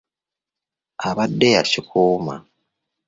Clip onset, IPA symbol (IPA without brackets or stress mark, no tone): a